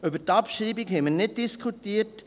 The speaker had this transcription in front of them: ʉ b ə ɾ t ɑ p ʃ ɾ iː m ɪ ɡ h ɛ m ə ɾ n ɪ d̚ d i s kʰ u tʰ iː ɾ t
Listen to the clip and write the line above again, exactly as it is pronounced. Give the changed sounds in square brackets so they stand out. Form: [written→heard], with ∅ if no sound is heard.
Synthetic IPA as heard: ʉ b ə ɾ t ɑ p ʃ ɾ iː [m→b] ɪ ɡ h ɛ m ə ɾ n ɪ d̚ d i s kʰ u [tʰ→t] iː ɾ t